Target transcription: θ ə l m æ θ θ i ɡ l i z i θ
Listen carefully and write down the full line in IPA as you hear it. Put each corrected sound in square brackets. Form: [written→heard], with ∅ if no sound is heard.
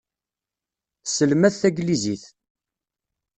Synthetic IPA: [θ→s] ə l m æ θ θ [i→æ] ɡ l i z i θ